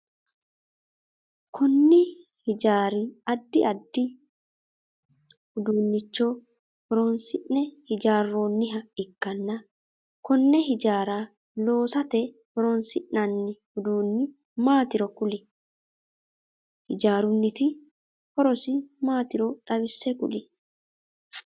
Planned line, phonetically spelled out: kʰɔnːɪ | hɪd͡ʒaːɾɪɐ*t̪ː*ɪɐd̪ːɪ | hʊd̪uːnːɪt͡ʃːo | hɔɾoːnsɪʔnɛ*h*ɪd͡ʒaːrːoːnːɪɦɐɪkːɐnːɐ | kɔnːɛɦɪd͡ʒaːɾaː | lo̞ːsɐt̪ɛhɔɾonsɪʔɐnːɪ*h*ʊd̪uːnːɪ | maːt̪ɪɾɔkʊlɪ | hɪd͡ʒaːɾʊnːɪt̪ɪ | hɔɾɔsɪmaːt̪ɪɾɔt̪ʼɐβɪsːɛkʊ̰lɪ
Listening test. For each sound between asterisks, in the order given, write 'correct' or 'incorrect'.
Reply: incorrect, correct, correct

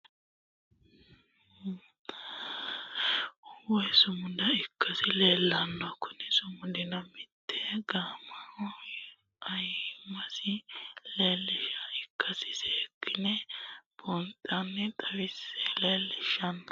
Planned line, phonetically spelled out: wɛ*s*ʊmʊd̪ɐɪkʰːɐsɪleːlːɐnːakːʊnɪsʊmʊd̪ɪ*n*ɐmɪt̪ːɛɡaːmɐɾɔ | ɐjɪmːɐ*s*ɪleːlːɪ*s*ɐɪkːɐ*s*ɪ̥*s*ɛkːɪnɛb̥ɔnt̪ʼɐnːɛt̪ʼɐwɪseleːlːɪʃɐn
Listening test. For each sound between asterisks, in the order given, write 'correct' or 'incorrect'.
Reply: correct, correct, correct, incorrect, correct, correct

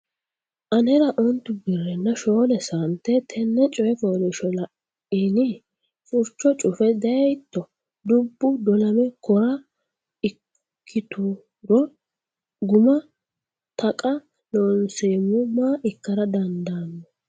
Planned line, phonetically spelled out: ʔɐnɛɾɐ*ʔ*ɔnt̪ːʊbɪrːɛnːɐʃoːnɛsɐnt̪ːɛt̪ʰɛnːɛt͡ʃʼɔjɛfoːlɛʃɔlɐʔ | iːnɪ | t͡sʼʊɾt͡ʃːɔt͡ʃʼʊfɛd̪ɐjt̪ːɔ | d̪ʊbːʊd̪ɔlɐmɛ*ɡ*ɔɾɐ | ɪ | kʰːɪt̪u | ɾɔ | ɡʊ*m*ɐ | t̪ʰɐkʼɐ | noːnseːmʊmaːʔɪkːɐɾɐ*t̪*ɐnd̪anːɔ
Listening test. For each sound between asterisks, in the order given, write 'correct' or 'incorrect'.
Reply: correct, incorrect, correct, incorrect

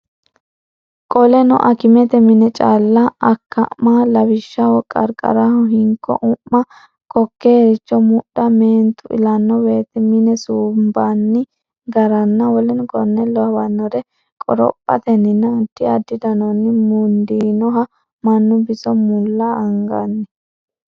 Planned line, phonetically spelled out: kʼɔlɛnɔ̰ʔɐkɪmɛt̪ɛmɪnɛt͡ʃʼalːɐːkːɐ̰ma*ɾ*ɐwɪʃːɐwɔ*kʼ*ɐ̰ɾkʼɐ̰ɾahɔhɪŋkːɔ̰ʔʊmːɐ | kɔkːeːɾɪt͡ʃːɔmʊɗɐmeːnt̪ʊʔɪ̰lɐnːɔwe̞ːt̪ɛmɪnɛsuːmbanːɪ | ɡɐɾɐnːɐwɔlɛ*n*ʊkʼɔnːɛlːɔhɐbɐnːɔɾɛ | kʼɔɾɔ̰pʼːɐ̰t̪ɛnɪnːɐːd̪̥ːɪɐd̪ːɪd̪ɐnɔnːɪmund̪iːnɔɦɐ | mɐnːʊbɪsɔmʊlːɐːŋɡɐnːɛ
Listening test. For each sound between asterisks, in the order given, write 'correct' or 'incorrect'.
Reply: incorrect, correct, correct

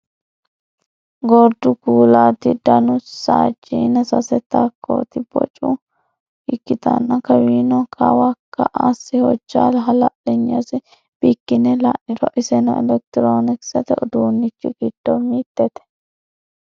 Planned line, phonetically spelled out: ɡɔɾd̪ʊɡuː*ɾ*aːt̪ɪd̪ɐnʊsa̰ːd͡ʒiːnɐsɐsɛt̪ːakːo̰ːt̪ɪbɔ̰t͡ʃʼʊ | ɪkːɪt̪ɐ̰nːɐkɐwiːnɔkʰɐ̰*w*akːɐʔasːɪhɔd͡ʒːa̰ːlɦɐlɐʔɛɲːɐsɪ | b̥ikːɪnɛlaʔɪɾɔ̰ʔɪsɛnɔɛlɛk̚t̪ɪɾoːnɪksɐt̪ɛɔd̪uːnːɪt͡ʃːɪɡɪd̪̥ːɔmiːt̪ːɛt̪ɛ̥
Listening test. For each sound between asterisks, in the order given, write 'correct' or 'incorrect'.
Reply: incorrect, correct

